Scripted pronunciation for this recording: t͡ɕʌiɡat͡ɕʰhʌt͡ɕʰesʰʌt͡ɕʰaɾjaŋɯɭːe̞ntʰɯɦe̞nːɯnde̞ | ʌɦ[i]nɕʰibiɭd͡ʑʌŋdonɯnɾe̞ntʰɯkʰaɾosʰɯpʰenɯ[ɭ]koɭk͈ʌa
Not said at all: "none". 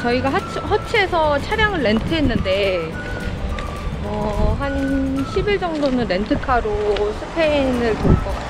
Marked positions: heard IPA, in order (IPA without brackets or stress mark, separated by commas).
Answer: a, ɭ